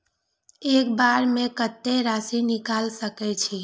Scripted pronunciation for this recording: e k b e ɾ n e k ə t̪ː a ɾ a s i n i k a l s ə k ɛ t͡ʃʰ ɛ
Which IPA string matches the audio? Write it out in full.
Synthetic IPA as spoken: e k b a ɾ m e k ə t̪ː e ɾ a s i n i k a l s ə k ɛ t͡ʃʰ i